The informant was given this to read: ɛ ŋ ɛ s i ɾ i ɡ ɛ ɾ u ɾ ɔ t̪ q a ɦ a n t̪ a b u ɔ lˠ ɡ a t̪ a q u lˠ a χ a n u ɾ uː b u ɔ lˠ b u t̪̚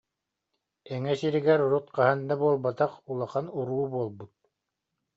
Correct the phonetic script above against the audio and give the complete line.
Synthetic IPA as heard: ɛ ŋ ɛ s i ɾ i ɡ ɛ ɾ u ɾ u t̪ q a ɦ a n d̪ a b u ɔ lˠ b a t̪ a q u lˠ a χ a n u ɾ uː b u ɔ lˠ b u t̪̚